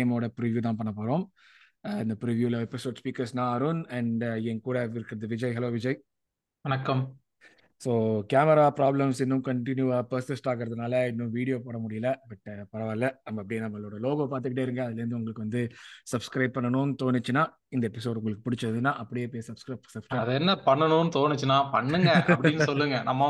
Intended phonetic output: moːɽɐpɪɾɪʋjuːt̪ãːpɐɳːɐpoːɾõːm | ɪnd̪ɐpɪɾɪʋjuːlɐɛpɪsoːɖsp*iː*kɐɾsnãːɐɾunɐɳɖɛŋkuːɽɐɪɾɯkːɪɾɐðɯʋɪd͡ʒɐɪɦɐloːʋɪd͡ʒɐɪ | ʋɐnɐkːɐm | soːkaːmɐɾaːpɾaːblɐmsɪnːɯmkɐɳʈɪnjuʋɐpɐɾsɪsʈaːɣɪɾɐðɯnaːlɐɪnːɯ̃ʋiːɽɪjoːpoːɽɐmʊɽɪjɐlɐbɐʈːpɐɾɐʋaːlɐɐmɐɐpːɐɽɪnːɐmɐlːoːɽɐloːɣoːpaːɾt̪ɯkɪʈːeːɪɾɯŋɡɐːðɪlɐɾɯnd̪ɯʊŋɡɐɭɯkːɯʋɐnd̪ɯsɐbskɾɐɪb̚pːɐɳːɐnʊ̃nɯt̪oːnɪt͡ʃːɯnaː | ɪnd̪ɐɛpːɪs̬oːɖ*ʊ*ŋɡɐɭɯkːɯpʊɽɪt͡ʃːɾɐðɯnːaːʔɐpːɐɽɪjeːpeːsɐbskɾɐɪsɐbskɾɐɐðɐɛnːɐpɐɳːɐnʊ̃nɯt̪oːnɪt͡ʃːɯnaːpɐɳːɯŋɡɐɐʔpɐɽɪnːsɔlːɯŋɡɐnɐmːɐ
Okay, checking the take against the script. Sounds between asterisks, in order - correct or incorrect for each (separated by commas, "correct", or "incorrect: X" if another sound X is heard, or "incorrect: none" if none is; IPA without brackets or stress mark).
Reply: correct, correct